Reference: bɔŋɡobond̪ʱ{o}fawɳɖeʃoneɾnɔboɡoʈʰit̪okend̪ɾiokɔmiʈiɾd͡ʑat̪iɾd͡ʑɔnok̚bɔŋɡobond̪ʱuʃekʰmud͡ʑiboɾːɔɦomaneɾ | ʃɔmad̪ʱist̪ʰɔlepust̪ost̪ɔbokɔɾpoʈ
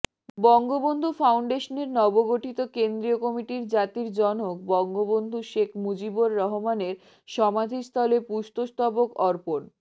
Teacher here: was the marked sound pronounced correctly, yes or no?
no